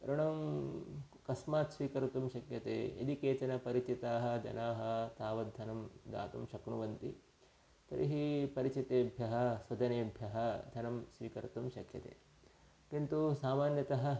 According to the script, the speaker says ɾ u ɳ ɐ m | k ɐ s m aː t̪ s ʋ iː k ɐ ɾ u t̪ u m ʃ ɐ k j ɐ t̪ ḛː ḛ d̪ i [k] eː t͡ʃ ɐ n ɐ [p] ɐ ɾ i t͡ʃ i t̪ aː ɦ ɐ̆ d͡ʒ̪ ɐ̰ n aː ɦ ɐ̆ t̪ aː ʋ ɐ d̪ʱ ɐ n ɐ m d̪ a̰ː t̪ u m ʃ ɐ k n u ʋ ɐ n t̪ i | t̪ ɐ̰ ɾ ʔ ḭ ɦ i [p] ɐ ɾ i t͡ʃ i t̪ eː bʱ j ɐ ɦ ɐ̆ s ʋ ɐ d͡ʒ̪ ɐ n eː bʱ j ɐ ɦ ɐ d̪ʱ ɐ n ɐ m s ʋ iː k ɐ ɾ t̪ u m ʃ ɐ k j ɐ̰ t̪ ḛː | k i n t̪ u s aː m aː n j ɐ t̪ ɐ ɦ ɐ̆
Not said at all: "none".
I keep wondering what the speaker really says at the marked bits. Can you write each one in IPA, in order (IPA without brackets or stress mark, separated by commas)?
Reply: k, p, p